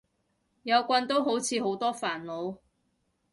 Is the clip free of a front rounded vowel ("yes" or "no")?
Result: yes